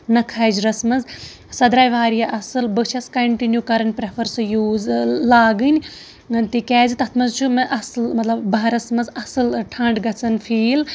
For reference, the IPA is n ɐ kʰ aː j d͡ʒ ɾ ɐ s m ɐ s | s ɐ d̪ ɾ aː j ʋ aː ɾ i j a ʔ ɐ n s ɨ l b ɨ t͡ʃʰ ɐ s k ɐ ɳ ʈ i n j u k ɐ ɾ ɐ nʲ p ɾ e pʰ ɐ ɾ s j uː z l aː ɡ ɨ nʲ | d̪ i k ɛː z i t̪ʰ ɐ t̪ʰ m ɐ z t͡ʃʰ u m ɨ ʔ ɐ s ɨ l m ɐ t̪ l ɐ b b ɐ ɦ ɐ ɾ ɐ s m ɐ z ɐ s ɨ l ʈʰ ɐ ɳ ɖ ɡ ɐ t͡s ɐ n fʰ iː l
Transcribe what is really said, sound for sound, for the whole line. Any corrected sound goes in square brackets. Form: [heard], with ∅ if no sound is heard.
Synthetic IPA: n ɐ kʰ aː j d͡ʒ ɾ ɐ s m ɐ [z] | s ɐ d̪ ɾ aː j ʋ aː ɾ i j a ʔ ɐ [∅] s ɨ l b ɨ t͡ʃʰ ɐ s k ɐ ɳ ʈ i n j u k ɐ ɾ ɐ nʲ p ɾ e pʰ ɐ ɾ s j uː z l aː ɡ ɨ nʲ | [t̪] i k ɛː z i [t̪] ɐ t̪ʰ m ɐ z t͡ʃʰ u m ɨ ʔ ɐ s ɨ l m ɐ t̪ l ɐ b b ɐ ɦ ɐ ɾ ɐ s m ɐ z ɐ s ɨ l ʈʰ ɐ ɳ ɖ ɡ ɐ t͡s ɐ n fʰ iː l